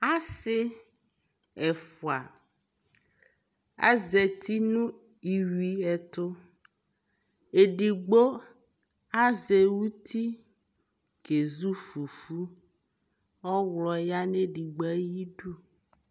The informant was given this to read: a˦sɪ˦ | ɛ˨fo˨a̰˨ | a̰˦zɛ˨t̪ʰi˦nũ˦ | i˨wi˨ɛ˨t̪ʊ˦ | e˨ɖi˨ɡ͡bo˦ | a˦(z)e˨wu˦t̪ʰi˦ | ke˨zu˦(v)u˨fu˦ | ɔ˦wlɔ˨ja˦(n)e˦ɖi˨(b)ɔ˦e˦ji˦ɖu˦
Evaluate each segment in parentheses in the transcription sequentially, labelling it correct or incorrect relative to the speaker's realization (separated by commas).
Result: correct, incorrect, correct, incorrect